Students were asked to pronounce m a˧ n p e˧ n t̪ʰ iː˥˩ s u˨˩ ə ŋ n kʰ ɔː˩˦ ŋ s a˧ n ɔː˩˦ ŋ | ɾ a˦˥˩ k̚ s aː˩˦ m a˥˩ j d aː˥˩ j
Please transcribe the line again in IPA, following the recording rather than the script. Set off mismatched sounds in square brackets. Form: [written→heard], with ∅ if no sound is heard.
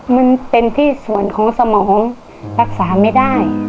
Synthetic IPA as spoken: m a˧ n p e˧ n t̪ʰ iː˥˩ s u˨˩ ə [ŋ→∅] n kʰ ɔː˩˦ ŋ s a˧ [n→m] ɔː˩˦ ŋ | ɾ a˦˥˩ k̚ s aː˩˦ m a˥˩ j d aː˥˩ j

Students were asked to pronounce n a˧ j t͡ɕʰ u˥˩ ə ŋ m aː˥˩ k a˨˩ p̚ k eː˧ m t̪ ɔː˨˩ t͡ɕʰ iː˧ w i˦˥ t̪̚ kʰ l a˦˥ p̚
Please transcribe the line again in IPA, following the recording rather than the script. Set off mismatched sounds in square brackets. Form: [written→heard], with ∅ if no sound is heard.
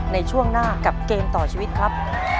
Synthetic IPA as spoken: n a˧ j t͡ɕʰ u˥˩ ə ŋ [m→n] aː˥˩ k a˨˩ p̚ k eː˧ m t̪ ɔː˨˩ t͡ɕʰ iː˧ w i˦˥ t̪̚ kʰ [l→ɾ] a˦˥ p̚

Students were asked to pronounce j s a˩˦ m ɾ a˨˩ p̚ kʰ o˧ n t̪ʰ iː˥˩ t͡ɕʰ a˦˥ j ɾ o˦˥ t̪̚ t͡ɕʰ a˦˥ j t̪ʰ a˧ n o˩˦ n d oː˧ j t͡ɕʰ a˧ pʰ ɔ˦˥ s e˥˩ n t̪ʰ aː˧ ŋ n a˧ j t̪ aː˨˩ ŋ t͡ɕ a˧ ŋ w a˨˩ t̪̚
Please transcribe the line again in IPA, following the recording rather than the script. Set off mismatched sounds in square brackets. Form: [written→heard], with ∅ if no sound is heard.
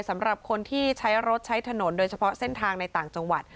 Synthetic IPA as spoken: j s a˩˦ m ɾ a˨˩ p̚ kʰ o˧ n t̪ʰ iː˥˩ t͡ɕʰ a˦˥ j ɾ o˦˥ t̪̚ t͡ɕʰ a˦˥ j t̪ʰ a˧ n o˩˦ n d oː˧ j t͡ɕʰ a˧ pʰ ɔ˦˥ s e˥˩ n t̪ʰ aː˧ ŋ n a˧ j t̪ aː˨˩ ŋ t͡ɕ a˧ ŋ w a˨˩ t̪̚

